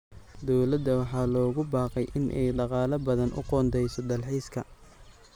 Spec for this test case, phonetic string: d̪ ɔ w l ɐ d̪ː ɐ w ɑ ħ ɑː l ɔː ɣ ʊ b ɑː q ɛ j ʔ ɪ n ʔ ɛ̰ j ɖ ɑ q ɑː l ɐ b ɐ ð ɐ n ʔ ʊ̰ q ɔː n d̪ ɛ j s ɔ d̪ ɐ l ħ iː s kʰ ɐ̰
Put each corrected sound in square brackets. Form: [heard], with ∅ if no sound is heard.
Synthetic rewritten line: d̪ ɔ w l ɐ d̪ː ɐ w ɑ ħ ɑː l ɔː ɣ ʊ b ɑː q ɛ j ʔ ɪ n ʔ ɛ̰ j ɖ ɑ q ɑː l ɐ b ɐ ð ɐ n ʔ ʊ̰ q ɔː n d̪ ɛ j s ɔ d̪ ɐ l ħ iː s kʰ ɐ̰